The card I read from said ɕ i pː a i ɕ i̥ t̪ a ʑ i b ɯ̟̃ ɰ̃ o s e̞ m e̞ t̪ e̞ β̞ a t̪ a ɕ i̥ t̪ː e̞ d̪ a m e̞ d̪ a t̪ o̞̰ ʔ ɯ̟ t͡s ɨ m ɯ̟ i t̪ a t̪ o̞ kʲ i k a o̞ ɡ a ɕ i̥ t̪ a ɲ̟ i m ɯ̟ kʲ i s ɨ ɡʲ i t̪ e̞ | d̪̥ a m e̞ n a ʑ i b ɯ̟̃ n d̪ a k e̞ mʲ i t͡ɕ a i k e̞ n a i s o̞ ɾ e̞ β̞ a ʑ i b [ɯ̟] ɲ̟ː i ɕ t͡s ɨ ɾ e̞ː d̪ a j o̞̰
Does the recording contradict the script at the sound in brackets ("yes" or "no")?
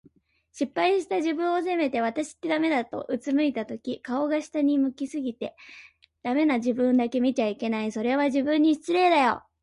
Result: yes